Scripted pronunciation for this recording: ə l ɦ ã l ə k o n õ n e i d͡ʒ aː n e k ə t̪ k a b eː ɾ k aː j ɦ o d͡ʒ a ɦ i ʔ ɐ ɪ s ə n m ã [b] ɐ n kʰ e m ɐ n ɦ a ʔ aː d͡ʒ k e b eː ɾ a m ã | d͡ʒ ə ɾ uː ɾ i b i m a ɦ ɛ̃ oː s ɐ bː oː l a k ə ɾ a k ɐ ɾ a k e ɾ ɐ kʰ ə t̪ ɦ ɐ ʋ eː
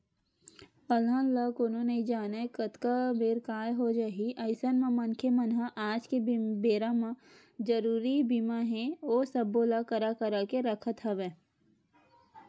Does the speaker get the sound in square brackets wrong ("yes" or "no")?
yes